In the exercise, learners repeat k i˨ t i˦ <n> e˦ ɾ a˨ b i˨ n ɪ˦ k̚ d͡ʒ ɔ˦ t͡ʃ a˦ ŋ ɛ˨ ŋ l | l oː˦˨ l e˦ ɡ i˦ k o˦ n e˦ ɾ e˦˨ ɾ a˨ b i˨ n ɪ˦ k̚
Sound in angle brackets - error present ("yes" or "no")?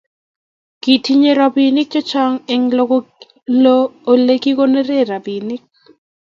yes